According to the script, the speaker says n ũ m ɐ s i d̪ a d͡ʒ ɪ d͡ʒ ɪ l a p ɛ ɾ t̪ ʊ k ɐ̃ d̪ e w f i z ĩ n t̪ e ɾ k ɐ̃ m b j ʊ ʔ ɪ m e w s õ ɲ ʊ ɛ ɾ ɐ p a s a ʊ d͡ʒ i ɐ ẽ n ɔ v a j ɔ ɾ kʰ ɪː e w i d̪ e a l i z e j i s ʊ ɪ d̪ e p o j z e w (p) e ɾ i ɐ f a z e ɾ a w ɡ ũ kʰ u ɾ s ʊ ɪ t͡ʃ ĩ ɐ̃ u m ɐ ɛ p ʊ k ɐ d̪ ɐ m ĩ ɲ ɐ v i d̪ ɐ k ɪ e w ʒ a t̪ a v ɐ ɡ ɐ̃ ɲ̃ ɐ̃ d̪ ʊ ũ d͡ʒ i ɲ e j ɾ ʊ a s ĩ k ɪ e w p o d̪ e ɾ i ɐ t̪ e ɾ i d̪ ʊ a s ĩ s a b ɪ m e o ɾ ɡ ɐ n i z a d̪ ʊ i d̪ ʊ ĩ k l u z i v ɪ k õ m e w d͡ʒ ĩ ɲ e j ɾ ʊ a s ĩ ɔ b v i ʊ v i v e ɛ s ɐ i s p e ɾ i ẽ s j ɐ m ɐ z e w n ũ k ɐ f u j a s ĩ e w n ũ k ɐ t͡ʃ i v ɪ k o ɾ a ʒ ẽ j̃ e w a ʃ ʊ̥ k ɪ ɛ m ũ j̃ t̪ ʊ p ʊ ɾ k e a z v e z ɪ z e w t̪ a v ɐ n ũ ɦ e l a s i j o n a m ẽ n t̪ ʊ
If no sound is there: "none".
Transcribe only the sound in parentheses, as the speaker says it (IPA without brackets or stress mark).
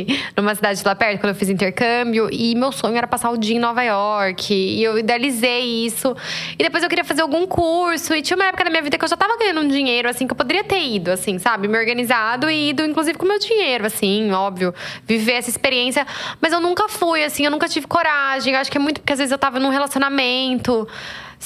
k